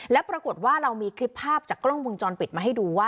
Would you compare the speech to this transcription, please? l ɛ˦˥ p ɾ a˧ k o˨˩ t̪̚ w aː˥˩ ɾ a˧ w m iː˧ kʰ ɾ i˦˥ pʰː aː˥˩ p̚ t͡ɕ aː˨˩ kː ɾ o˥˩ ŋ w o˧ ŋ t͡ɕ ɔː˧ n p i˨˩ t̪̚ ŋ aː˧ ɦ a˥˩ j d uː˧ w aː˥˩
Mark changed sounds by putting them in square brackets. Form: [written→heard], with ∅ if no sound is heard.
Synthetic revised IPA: l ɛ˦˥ p ɾ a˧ k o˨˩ t̪̚ w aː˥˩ ɾ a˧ w m iː˧ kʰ ɾ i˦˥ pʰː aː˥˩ p̚ t͡ɕ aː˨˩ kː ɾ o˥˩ ŋ w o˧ ŋ t͡ɕ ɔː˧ n p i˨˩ t̪̚ [ŋ→m] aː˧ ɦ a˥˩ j d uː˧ w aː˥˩